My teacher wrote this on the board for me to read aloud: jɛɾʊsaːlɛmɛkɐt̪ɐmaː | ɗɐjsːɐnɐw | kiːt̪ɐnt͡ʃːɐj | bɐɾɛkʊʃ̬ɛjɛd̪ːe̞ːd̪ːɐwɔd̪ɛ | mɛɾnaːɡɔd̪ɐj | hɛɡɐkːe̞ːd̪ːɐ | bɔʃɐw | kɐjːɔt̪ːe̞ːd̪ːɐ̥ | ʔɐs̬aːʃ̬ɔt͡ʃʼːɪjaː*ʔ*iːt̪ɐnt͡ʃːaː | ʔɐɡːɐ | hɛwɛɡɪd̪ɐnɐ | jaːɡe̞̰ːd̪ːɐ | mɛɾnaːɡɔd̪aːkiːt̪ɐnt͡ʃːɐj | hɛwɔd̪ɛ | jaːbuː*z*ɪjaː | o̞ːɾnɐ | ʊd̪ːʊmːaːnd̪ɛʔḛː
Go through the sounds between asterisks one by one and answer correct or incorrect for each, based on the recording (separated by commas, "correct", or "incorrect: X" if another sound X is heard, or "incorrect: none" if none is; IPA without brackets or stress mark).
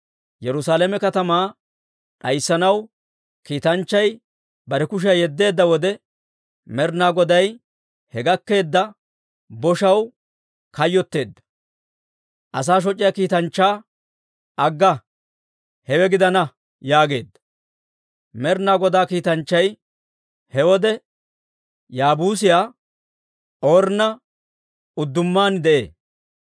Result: incorrect: k, incorrect: s